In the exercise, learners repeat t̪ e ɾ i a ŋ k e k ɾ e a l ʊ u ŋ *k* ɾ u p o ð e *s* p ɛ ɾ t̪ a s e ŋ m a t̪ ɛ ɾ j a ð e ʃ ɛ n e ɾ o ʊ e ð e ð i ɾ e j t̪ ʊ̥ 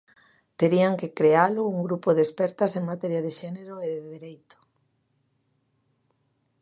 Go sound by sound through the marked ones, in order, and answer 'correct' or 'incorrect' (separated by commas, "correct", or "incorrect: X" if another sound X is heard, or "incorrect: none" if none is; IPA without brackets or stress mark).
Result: incorrect: ɡ, correct